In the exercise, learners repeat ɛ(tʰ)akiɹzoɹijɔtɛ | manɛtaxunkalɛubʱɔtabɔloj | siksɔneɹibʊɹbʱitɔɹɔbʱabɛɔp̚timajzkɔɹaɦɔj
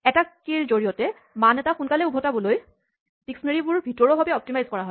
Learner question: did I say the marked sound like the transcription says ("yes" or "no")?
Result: no